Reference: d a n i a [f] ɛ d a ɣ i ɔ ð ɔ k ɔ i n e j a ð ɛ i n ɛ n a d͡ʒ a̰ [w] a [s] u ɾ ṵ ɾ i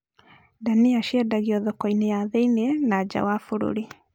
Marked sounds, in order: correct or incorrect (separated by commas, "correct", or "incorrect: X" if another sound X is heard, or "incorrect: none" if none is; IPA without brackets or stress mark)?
incorrect: ʃ, correct, incorrect: f